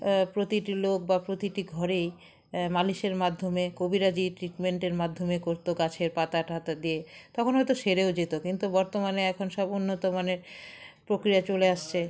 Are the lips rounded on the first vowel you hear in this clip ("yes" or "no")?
yes